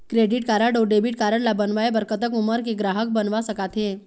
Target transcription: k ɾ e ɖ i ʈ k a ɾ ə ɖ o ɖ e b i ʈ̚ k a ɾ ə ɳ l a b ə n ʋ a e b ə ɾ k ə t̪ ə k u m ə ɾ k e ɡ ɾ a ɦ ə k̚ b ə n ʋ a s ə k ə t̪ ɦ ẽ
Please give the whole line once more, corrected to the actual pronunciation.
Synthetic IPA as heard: k ɾ e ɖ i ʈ k a ɾ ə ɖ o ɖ e b i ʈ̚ k a ɾ ə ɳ l a b ə n ʋ a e b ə ɾ k ə t̪ ə k u m ə ɾ k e ɡ ɾ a ɦ ə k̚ b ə n ʋ a s ə k a t̪ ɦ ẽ